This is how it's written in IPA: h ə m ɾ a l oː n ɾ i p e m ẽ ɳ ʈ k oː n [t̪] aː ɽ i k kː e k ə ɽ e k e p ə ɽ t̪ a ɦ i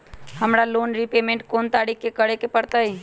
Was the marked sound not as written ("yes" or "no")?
no